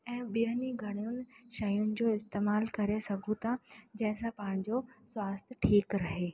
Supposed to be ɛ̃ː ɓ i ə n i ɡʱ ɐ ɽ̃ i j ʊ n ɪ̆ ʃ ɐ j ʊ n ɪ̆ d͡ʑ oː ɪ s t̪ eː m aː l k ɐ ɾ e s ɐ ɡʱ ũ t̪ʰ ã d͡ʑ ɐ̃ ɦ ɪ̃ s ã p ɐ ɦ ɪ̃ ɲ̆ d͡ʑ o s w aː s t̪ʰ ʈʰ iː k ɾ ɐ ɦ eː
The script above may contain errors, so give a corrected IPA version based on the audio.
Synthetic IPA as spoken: ɛ̃ː ɓ i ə n i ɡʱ ɐ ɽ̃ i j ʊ n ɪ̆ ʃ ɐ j ʊ n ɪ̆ d͡ʑ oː ɪ s t̪ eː m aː l k ɐ ɾ e s ɐ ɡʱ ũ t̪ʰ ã d͡ʑ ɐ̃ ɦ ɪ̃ s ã p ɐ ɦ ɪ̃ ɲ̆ d͡ʑ o s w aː s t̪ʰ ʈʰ iː k ɾ ɐ ɦ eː